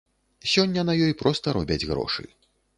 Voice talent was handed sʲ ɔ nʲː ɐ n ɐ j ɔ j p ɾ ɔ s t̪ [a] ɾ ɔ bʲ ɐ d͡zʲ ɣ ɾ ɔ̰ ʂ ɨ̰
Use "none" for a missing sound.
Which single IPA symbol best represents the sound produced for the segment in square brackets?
ɐ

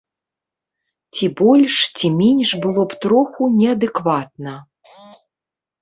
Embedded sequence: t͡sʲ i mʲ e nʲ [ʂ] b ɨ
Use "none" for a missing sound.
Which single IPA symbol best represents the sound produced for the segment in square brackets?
ʂ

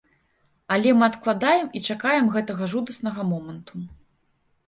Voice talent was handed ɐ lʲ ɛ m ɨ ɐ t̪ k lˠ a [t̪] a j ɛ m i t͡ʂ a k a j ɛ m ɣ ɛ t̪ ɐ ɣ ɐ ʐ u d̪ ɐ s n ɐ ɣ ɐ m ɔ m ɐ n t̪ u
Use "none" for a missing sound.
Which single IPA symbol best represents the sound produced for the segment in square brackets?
d̪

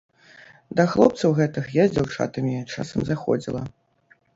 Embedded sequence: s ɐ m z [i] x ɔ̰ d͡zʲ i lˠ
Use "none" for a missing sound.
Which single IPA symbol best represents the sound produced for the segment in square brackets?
a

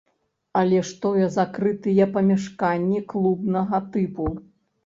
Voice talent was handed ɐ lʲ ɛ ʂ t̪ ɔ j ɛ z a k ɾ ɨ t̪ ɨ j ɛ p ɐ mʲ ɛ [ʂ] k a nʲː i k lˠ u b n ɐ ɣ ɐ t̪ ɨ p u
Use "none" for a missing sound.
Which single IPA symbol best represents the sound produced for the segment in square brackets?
ʂ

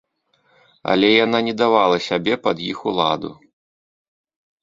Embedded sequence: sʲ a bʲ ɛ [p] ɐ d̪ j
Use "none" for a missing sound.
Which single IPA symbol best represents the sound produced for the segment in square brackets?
p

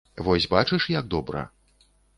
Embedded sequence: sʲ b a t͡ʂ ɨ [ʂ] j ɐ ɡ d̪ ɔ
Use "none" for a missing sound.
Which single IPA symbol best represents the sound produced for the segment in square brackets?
ʂ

